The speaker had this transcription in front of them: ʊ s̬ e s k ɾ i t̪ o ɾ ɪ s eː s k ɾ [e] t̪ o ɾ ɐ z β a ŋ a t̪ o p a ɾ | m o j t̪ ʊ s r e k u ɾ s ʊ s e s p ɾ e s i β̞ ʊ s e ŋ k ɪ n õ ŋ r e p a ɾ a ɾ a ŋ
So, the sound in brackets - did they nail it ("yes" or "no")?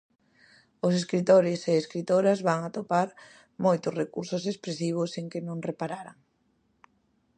no